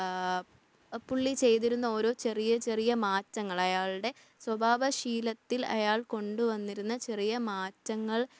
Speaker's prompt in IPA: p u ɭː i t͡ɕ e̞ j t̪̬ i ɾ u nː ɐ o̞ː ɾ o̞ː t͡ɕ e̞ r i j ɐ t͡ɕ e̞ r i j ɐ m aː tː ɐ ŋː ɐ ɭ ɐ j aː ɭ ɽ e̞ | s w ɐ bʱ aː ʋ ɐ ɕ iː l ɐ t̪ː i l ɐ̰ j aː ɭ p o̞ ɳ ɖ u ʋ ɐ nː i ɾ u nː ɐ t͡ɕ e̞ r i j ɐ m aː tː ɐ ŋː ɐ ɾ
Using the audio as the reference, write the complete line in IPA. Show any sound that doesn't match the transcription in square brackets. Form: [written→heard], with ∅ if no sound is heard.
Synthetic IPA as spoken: p u ɭː i t͡ɕ e̞ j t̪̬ i ɾ u nː ɐ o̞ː ɾ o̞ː t͡ɕ e̞ r i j ɐ t͡ɕ e̞ r i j ɐ m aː tː ɐ ŋː ɐ ɭ ɐ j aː ɭ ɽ e̞ | s w ɐ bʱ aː ʋ ɐ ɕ iː l ɐ t̪ː i l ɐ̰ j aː ɭ [p→k] o̞ ɳ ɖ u ʋ ɐ nː i ɾ u nː ɐ t͡ɕ e̞ r i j ɐ m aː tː ɐ ŋː ɐ [ɾ→ɭ]